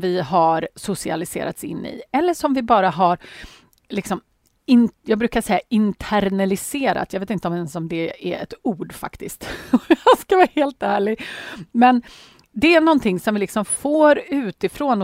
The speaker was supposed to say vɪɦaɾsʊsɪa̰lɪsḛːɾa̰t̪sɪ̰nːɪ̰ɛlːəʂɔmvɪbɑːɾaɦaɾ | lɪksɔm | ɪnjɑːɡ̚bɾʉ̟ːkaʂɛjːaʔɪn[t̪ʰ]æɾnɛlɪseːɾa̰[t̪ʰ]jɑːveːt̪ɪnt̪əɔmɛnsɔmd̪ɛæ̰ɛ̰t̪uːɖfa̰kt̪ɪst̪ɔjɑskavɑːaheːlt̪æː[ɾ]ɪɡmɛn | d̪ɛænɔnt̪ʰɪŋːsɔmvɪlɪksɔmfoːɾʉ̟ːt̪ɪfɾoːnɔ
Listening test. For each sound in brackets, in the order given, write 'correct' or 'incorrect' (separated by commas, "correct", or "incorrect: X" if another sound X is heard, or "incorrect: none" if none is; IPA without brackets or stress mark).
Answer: correct, incorrect: t̪, incorrect: ɭ